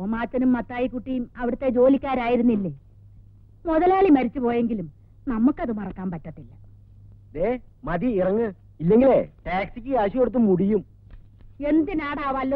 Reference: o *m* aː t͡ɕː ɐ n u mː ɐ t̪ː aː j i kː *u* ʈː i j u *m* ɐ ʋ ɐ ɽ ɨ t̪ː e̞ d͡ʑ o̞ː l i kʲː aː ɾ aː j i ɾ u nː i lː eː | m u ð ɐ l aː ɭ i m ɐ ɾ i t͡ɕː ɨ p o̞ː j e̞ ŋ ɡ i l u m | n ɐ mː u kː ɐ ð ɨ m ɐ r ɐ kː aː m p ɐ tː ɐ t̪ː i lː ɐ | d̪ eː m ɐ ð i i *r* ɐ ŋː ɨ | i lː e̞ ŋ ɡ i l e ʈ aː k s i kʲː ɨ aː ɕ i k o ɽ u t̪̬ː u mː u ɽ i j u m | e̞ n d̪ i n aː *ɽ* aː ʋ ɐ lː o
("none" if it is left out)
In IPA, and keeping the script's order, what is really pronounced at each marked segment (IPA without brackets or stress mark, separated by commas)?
m, u, m, r, ɽ